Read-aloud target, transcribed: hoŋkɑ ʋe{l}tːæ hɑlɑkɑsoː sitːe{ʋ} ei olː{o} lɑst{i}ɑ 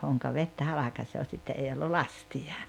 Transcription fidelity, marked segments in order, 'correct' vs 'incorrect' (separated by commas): incorrect, incorrect, incorrect, correct